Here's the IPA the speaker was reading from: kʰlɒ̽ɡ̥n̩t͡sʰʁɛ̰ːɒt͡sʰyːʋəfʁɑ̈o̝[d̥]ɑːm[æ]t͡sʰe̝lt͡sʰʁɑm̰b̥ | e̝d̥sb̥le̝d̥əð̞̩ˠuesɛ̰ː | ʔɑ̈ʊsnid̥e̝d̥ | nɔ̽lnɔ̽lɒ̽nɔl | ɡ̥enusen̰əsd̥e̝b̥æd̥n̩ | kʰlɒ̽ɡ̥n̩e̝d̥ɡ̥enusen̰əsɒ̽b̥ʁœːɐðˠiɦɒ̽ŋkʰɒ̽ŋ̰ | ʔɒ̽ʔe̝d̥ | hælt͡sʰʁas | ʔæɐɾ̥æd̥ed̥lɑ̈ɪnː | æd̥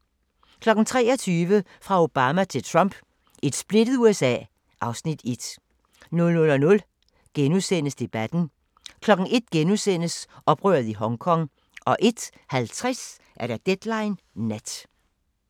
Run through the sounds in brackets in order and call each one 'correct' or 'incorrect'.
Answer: incorrect, correct

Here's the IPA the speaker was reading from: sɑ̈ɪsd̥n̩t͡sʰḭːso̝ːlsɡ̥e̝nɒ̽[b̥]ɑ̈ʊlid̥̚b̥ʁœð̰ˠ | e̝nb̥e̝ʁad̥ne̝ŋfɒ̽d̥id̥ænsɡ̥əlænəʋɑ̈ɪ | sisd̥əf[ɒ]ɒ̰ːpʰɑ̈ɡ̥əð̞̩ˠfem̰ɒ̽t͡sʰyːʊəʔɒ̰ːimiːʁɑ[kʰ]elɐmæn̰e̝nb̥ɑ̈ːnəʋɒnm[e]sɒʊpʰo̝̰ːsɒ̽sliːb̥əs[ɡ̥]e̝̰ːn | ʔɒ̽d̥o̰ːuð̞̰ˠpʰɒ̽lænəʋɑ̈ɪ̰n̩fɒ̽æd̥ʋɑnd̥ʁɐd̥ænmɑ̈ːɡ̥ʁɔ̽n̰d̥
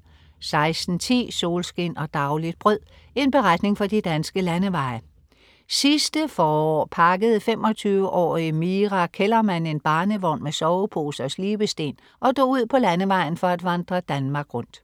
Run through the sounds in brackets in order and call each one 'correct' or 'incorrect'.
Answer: incorrect, incorrect, correct, correct, incorrect

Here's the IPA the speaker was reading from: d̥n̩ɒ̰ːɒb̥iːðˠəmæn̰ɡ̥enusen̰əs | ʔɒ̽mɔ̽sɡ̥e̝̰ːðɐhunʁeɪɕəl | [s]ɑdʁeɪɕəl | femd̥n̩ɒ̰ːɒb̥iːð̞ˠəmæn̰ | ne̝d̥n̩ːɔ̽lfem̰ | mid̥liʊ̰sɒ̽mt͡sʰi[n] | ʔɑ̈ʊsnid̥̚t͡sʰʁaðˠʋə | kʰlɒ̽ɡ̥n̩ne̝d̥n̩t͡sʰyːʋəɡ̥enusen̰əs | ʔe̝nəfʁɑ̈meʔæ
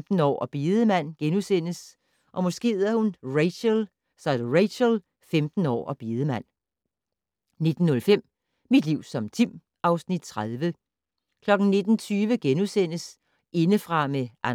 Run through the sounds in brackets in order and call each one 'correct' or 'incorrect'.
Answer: correct, incorrect

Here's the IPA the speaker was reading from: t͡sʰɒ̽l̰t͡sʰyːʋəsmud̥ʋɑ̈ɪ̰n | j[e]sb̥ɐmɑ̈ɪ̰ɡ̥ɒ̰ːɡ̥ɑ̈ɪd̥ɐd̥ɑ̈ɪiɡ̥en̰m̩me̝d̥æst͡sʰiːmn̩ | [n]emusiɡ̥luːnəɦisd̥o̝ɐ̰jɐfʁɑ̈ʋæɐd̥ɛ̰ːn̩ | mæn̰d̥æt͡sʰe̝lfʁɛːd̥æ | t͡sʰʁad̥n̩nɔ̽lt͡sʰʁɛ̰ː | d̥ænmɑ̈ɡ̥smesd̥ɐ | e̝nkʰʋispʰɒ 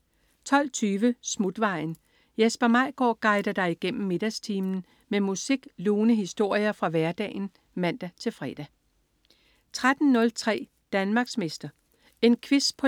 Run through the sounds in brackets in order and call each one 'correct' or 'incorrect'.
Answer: correct, incorrect

